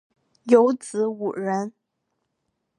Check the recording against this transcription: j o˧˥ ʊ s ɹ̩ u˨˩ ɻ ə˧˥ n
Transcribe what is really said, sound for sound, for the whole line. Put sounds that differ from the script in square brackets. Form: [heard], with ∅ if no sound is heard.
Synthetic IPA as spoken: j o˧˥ ʊ [t͡s] ɹ̩ u˨˩ ɻ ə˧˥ n